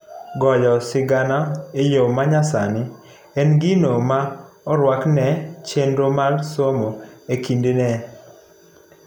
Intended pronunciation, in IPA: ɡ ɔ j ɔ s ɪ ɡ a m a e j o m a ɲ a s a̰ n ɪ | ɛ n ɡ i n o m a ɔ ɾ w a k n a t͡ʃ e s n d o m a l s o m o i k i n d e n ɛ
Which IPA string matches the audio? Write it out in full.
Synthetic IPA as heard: ɡ ɔ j ɔ s ɪ ɡ a n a e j o m a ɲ a s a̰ n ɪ | ɛ n ɡ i n o m a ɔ ɾ w a k n ɛ t͡ʃ e n d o m a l s o m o e k i n d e n ɛ